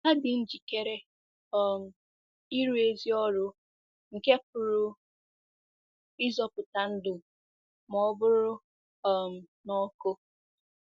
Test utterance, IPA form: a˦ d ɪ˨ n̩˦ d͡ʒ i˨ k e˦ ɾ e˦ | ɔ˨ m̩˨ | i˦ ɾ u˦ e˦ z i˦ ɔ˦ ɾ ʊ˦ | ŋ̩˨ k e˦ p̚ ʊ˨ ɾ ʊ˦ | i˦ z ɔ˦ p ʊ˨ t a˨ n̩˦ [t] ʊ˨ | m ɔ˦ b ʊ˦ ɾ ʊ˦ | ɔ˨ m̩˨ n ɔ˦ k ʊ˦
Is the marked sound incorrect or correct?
incorrect